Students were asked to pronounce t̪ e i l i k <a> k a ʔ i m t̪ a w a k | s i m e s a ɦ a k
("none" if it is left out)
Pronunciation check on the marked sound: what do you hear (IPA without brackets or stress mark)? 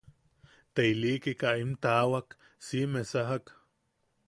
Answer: i